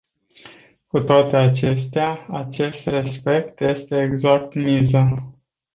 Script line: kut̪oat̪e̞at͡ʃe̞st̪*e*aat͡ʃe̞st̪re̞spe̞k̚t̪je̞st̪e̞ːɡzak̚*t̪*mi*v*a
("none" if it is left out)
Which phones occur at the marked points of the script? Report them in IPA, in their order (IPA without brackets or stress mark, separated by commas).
e, t̪, z